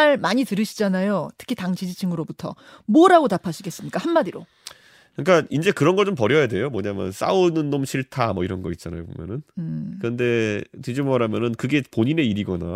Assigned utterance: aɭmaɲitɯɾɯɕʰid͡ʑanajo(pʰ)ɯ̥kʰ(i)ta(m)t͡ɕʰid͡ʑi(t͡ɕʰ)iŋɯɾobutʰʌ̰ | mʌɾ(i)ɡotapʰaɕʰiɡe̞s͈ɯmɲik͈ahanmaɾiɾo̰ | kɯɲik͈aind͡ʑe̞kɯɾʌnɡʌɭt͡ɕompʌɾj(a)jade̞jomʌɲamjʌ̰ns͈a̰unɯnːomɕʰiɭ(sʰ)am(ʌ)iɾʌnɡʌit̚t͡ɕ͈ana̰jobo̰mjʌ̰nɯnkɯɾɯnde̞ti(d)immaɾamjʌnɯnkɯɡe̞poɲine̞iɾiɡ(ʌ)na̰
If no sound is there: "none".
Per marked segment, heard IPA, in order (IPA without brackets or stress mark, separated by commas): tʰ, i, ŋ, t͡ɕʰ, a, ʌ, tʰ, ʌ, d͡ʑ, ʌ